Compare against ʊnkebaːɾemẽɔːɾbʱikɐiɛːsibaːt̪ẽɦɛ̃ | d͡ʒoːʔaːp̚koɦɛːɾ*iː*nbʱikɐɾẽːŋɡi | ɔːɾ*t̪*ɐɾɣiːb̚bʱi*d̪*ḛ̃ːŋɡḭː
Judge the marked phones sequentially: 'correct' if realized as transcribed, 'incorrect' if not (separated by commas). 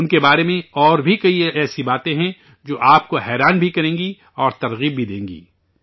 incorrect, correct, correct